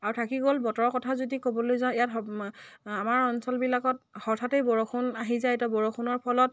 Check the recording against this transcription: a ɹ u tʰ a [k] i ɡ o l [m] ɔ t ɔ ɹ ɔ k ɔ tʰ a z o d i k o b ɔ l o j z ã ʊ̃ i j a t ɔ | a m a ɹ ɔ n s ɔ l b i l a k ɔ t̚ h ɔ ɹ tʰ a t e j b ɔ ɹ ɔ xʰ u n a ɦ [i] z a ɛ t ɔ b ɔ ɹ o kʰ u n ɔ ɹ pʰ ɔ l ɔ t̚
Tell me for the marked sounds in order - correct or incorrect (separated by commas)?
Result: correct, incorrect, correct